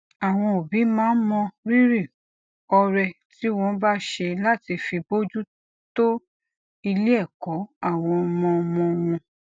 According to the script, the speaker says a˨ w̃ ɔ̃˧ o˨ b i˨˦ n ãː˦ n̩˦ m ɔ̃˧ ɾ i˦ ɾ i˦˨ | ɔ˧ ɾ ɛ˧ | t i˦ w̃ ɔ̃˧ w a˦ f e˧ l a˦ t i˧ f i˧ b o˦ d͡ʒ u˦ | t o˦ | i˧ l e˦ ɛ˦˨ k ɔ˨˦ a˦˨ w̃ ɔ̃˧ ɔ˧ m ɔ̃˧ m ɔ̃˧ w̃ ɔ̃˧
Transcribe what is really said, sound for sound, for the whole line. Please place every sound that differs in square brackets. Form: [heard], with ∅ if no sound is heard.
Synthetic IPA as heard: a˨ w̃ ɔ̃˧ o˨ b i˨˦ [m] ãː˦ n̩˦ m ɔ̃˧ ɾ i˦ ɾ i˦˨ | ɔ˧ ɾ ɛ˧ | t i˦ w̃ ɔ̃˧ [b] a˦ [ʃ] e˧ l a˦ t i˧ f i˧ b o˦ d͡ʒ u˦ | t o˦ | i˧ l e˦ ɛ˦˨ k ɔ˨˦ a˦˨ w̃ ɔ̃˧ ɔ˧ m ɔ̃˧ m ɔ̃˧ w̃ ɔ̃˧